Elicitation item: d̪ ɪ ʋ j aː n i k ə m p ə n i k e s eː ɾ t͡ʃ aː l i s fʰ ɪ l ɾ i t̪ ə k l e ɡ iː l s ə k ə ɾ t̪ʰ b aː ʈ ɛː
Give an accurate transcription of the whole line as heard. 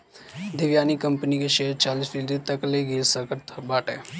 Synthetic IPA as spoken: d̪ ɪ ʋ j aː n i k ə m p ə n i k e ʃ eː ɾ t͡ʃ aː l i s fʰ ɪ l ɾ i t̪ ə k l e ɡ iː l s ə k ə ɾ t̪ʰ b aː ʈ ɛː